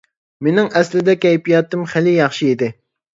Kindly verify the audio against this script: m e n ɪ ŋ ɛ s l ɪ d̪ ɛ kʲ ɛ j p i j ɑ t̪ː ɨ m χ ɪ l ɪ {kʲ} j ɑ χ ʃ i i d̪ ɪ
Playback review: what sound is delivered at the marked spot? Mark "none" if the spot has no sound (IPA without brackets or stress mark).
none